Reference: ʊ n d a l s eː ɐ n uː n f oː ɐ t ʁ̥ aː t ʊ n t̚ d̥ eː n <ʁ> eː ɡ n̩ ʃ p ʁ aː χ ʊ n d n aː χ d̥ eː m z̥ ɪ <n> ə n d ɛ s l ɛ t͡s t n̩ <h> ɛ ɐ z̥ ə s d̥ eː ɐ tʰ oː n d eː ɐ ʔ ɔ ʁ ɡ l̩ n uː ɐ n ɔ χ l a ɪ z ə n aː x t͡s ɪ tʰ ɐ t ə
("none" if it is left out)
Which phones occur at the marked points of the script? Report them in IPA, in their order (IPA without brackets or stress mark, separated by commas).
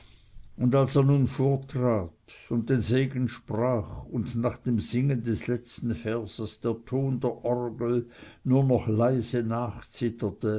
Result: z, ŋ, f